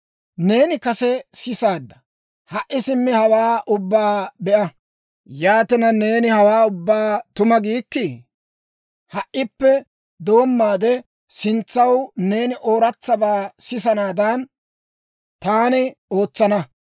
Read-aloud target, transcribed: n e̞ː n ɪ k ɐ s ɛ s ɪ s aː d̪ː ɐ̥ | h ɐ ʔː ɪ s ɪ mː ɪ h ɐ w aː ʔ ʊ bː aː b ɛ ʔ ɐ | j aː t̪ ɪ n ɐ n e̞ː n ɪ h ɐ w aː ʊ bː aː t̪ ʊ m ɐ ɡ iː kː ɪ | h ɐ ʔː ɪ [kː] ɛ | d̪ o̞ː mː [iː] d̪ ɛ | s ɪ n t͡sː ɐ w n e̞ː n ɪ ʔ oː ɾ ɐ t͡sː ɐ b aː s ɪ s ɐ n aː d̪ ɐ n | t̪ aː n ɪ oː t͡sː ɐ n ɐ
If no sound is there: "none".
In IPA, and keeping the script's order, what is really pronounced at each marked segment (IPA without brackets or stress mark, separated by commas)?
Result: pː, aː